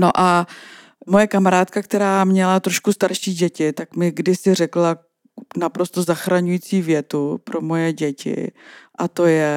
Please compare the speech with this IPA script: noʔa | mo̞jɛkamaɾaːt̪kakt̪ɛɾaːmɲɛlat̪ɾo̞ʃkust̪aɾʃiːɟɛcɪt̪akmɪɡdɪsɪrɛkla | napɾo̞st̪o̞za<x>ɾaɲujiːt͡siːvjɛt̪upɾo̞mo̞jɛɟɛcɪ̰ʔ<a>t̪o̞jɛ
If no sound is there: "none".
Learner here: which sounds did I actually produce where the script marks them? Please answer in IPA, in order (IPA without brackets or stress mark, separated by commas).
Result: x, a